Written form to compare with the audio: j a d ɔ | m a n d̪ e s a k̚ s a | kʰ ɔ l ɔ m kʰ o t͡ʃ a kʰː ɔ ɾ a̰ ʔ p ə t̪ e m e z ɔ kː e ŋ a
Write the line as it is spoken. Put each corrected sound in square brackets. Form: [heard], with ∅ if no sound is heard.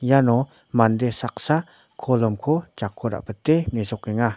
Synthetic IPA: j a [n] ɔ | m a n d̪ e s a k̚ s a | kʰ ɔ l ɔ m kʰ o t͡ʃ a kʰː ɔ ɾ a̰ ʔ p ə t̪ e m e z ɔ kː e ŋ a